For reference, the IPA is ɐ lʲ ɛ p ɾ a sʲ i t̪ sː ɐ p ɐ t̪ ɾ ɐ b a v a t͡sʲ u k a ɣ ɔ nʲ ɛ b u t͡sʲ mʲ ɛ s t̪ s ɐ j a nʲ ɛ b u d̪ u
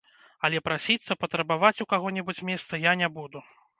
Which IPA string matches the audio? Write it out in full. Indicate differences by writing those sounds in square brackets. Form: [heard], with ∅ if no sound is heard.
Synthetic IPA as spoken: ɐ lʲ ɛ p ɾ a sʲ i t̪ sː ɐ p ɐ t̪ ɾ ɐ b a v a t͡sʲ u k a ɣ ɔ nʲ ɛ b u t͡sʲ mʲ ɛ s t̪ s ɐ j a nʲ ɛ b u d̪ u